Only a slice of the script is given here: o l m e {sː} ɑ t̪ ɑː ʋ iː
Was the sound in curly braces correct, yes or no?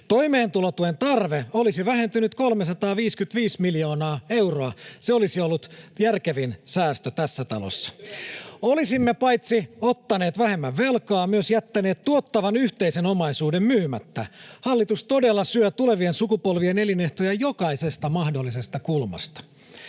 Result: no